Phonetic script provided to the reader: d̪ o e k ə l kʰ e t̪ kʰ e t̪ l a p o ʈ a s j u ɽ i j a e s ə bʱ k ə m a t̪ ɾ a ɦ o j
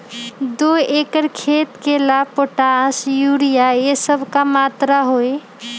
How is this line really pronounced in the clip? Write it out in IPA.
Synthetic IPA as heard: d̪ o e k ə ɾ kʰ e t̪ k e l a p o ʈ a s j u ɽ i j a e s ə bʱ k a m a t̪ ɾ a ɦ o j